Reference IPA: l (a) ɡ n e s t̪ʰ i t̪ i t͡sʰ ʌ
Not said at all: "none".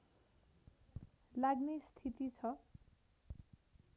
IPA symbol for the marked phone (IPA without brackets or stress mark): a